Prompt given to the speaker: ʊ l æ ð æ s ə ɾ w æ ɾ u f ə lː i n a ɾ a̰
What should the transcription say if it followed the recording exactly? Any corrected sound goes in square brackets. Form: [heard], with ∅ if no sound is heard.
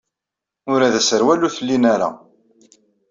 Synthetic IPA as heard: ʊ [ɾ] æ ð æ s ə ɾ w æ [l] u [θ] ə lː i n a ɾ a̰